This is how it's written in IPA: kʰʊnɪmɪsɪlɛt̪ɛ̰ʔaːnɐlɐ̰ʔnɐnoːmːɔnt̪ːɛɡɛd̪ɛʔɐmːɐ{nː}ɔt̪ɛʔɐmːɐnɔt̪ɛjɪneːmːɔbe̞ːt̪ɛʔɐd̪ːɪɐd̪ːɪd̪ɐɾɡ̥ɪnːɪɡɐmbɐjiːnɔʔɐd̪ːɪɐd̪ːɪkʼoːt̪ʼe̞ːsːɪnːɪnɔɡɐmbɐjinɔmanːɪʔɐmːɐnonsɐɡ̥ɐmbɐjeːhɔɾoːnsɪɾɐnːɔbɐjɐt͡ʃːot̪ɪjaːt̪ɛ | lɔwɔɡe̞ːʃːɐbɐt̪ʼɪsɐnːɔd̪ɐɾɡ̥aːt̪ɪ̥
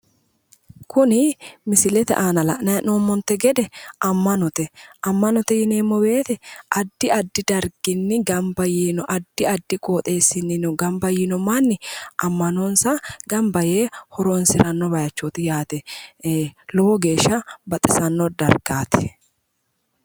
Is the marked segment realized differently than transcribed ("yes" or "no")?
yes